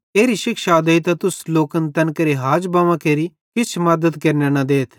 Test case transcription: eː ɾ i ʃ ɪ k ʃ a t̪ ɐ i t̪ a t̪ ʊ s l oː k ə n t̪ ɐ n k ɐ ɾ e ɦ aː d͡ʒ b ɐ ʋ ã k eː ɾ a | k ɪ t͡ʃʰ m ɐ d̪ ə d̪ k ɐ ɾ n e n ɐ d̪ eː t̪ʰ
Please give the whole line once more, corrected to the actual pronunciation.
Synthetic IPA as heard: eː ɾ i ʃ ɪ k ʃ a d̪ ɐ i t̪ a t̪ ʊ s l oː k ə n t̪ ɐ n k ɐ ɾ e ɦ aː d͡ʒ b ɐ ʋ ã k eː ɾ i | k ɪ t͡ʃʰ m ɐ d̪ ə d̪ k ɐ ɾ n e n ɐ d̪ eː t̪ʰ